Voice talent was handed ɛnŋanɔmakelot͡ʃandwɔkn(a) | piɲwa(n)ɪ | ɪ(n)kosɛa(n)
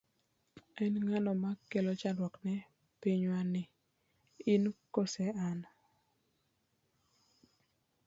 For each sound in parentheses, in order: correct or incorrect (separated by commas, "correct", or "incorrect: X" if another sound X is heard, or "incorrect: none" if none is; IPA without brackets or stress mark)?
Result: incorrect: ɛ, correct, correct, correct